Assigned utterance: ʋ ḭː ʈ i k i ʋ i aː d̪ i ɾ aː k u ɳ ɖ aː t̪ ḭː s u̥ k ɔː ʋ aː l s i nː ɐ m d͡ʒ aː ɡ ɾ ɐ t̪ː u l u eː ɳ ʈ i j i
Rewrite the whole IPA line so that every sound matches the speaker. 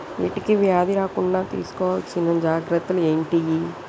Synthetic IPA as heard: ʋ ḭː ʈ i k i ʋ j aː d̪ i ɾ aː k u ɳ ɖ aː t̪ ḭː s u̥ k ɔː ʋ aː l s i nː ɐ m d͡ʒ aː ɡ ɾ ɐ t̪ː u l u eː ɳ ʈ i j i